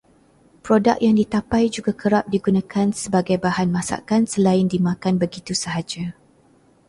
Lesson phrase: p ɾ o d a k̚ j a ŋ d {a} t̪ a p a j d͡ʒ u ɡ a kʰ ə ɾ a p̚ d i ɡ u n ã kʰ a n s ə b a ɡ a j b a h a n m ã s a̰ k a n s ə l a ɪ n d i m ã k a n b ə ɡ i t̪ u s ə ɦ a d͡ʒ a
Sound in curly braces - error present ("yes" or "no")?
yes